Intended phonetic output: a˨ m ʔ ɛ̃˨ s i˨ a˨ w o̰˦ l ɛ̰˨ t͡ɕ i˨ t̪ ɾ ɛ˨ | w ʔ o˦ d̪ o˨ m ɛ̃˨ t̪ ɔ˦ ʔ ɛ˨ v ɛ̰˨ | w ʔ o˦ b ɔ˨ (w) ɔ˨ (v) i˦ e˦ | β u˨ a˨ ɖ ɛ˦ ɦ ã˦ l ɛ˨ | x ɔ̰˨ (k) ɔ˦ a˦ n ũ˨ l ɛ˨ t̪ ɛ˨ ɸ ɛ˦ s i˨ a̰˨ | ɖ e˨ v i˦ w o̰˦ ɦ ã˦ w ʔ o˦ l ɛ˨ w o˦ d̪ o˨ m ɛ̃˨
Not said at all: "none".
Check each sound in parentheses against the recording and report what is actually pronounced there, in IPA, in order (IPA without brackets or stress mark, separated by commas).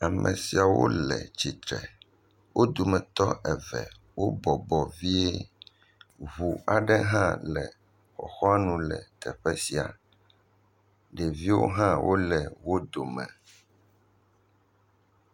b, v, x